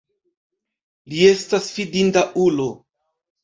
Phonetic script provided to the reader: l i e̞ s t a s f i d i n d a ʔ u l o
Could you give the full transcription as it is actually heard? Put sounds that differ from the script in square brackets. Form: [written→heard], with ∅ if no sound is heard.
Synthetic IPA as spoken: l i e̞ s t a s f i d i n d a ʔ u l o